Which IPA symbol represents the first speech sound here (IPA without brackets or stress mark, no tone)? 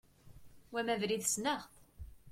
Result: w